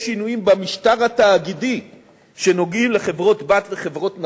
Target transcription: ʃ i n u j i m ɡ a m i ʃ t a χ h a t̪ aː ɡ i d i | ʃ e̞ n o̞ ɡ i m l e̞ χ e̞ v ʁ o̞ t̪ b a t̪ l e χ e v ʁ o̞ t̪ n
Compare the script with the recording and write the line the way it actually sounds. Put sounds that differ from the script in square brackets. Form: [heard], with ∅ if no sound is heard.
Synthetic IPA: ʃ i n u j i m [b] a m i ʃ t a [ʁ] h a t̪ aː ɡ i d i | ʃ e̞ n o̞ ɡ i m l e̞ χ e̞ v ʁ o̞ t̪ b a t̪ l e χ e v ʁ o̞ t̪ n